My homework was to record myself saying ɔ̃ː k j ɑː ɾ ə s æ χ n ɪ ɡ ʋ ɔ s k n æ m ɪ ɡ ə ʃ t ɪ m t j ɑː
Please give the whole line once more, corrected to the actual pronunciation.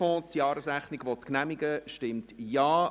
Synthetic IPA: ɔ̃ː t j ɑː ɾ ə s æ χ n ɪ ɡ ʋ ɔ t k n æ m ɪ ɡ ə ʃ t ɪ m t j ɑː